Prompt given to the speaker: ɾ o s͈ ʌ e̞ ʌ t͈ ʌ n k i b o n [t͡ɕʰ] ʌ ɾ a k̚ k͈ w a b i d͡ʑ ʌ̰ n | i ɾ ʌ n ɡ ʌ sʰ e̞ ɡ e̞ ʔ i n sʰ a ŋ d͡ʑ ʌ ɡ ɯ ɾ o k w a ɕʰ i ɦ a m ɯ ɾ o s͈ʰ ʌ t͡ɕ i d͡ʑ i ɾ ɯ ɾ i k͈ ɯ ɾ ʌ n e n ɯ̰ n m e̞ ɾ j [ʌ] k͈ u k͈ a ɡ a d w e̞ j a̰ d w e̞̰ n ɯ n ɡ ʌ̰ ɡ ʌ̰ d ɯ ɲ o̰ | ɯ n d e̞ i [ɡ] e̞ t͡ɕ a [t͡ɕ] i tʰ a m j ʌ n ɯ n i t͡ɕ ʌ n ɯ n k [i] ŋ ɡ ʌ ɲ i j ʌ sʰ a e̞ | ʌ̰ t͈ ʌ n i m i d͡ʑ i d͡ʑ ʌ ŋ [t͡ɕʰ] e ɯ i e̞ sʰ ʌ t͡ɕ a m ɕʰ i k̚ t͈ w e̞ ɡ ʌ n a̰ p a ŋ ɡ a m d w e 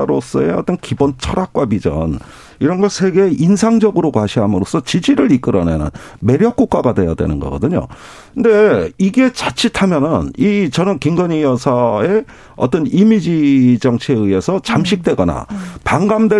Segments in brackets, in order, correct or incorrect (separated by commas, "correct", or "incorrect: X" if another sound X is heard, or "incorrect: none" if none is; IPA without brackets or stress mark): correct, correct, correct, incorrect: t͡ɕʰ, correct, correct